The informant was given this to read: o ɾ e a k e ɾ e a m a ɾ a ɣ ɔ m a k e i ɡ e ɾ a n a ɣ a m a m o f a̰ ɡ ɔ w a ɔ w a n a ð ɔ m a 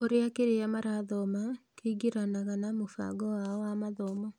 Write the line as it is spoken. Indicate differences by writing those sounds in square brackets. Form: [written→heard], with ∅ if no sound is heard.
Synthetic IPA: o ɾ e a k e ɾ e a m a ɾ a [ɣ→ð] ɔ m a k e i ɡ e ɾ a n a ɣ a [m→n] a m o f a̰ ɡ ɔ w a ɔ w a [n→m] a ð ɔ m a